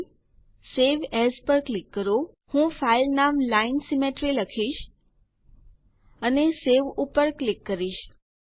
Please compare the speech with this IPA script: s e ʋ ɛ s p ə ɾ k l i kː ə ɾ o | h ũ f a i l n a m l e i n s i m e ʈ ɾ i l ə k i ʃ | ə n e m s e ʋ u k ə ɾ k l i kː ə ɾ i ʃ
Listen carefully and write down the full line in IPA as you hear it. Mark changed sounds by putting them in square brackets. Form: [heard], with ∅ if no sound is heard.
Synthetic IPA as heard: s e ʋ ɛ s p ə ɾ k l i kː ə ɾ o | h ũ f a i l n a m l [a] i n s i m e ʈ ɾ i l ə [kʰ] i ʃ | ə n e [∅] s e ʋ u [p] ə ɾ k l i kː ə ɾ i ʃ